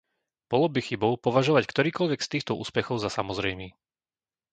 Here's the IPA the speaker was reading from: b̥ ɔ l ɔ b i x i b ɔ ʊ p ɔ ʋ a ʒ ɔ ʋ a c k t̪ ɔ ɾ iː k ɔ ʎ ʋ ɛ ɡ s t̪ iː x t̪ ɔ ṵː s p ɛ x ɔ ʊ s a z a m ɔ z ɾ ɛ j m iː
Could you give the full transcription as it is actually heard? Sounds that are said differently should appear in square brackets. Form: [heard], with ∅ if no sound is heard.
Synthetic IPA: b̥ ɔ l ɔ b i x i b ɔ ʊ p ɔ ʋ a ʒ ɔ ʋ a c k t̪ ɔ ɾ iː k ɔ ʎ ʋ ɛ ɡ s t̪ iː x t̪ ɔ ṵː s p ɛ x ɔ ʊ [z] a [s] a m ɔ z ɾ ɛ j m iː